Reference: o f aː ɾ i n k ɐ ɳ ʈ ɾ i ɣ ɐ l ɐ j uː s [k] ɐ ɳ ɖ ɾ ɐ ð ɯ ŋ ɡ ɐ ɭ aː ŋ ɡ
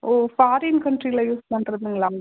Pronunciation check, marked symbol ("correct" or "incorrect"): incorrect